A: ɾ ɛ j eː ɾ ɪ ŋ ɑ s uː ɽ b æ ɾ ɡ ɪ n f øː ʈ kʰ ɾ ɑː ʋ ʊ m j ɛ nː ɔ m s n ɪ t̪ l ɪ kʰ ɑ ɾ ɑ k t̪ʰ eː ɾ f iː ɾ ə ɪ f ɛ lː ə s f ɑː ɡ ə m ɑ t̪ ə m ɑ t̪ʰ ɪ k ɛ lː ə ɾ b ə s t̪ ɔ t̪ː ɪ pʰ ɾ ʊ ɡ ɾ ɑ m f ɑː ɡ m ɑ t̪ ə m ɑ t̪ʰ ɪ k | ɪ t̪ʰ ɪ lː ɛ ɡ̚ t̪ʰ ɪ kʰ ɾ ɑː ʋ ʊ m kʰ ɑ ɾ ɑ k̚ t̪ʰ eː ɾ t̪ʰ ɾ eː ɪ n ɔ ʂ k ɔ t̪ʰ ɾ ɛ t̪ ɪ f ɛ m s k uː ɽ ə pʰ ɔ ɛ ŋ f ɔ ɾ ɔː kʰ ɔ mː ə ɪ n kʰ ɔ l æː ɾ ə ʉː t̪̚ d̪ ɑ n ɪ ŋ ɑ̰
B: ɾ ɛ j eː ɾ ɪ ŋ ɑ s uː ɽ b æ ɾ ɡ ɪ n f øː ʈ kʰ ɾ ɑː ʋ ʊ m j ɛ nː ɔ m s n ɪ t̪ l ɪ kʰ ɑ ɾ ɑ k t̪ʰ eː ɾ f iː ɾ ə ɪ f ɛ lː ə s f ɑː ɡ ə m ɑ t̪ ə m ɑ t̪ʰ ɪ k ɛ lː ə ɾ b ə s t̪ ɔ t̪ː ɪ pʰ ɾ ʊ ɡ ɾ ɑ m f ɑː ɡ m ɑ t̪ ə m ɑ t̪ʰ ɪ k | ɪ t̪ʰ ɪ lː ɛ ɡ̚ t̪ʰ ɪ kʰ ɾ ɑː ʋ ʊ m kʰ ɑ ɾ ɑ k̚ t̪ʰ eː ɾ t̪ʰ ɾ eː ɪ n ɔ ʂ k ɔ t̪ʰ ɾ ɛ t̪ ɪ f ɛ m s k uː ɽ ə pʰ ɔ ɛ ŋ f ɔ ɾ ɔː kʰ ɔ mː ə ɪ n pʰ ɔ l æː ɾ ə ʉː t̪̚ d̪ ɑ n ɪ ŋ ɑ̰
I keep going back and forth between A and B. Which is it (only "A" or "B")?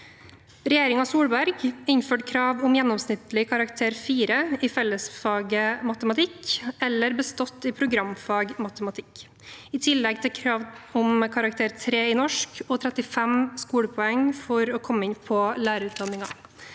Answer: B